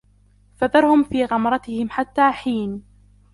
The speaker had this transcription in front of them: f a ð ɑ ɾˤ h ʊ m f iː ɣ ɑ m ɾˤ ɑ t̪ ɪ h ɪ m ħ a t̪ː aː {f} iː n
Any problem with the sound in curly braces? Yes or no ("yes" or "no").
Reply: yes